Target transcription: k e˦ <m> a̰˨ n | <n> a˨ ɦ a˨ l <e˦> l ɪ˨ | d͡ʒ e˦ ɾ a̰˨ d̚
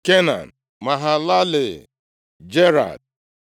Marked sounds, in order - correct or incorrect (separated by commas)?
incorrect, incorrect, incorrect